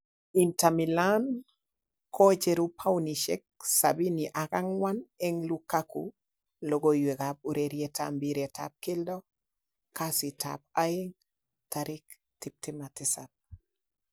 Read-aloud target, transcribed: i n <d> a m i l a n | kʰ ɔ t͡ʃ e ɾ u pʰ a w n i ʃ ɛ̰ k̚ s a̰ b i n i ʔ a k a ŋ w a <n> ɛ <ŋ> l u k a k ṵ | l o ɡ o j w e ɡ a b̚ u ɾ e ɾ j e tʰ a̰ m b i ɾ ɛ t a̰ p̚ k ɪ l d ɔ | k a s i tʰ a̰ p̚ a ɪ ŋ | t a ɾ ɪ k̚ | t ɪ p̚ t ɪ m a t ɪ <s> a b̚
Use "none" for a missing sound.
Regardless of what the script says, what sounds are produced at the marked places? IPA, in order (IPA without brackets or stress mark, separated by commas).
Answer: t, n, ŋ, s